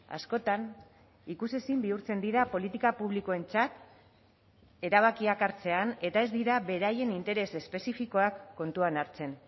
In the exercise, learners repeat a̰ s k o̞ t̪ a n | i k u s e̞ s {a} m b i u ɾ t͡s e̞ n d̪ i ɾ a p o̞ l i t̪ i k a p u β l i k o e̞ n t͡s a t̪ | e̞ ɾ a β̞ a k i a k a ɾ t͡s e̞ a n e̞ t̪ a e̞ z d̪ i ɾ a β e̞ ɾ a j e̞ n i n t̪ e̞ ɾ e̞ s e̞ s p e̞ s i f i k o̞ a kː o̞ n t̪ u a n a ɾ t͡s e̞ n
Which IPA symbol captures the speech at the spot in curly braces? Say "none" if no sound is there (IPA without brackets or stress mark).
i